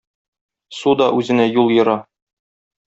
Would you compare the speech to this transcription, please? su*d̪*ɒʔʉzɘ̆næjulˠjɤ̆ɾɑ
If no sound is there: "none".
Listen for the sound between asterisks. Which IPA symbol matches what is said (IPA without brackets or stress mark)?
d̪